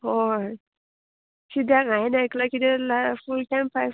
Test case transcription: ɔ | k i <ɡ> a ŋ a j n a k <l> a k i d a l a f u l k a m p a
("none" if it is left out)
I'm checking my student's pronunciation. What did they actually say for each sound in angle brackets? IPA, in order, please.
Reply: d, l

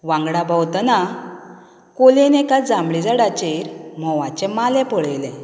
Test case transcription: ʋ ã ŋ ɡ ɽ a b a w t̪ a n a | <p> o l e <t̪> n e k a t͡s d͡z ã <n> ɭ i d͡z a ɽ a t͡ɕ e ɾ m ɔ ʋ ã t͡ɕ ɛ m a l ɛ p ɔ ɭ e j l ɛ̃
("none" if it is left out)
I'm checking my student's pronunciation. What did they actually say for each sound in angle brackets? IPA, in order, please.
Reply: k, none, m

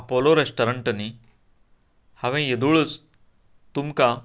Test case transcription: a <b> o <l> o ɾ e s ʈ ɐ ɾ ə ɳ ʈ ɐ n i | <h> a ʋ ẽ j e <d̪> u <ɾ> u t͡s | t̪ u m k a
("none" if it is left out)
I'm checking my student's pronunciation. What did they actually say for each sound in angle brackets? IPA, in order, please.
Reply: p, l, h, d̪, ɭ

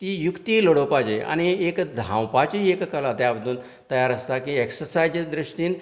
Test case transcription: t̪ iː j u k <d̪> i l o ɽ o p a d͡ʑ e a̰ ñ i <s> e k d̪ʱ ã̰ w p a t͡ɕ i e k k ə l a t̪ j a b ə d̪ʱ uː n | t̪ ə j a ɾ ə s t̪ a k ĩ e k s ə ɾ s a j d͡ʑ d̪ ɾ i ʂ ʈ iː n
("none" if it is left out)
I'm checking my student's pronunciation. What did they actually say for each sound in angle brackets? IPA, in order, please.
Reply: t̪, none

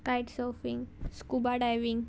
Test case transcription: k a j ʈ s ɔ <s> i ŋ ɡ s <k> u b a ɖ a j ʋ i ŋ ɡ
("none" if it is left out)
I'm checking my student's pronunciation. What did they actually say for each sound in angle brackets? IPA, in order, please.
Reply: f, k

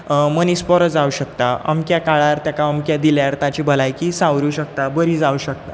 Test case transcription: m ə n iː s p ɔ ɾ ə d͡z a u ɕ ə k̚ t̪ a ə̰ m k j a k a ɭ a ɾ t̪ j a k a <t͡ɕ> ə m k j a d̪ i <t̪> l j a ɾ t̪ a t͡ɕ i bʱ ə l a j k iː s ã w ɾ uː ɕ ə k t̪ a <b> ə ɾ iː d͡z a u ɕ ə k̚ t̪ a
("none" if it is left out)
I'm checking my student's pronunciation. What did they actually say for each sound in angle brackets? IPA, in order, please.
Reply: none, none, b

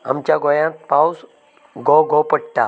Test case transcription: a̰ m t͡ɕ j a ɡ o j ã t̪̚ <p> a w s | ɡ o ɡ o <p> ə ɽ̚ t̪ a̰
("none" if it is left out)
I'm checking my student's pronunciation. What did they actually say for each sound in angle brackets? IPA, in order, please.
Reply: p, p

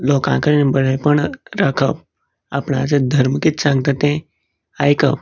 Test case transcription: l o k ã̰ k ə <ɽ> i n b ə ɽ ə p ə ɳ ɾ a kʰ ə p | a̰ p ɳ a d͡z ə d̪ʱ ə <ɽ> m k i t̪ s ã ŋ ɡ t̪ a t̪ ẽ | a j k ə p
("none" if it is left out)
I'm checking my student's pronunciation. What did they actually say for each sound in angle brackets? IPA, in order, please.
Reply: ɾ, ɾ

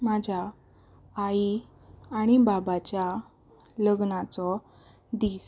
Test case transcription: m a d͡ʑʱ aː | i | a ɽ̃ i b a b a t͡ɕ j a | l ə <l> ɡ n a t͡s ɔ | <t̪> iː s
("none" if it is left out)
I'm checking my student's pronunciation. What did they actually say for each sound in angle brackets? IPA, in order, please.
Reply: none, d̪

